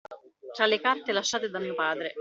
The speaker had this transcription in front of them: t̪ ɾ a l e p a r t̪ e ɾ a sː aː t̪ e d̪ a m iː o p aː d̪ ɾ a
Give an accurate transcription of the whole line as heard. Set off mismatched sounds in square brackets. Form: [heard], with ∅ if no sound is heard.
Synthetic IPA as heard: t̪ ɾ a l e [k] a r t̪ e [l] a [ʃː] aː t̪ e d̪ a m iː o p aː d̪ ɾ [e]